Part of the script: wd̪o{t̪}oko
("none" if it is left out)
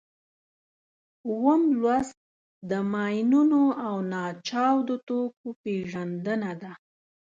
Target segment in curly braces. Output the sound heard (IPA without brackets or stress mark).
t̪